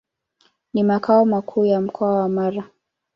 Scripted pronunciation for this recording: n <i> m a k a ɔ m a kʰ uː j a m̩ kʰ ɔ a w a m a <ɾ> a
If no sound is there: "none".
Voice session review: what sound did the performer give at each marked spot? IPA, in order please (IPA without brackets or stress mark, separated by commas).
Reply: i, ɾ